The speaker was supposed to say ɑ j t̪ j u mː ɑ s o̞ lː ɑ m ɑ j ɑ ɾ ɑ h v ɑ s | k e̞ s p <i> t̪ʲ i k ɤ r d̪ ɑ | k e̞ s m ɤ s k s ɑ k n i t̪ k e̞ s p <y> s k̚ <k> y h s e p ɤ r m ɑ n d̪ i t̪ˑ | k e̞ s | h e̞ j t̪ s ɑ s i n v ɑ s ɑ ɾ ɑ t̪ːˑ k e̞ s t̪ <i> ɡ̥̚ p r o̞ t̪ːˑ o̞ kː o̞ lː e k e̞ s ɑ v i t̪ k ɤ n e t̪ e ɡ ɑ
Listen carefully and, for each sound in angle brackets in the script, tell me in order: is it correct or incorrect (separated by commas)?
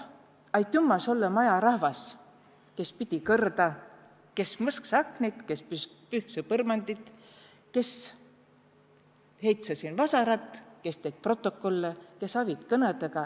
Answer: correct, correct, incorrect, incorrect